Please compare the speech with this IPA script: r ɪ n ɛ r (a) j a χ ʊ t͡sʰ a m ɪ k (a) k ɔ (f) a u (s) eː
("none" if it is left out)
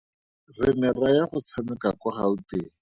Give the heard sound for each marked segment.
a, a, χ, t

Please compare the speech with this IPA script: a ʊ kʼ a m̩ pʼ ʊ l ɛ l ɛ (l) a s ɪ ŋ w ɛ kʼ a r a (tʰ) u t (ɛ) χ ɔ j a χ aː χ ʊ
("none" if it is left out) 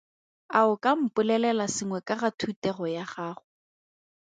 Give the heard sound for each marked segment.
l, tʰ, ɛ

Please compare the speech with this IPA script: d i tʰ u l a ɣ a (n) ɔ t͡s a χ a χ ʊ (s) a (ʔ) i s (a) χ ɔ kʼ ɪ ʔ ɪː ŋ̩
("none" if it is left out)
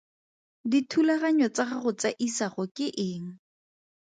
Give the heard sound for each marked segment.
ɲ, t͡s, ʔ, a

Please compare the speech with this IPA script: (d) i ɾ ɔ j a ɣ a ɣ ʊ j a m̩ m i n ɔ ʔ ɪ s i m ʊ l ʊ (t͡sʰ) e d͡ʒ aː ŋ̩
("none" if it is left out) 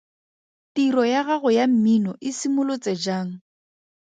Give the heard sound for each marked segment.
t, t͡s

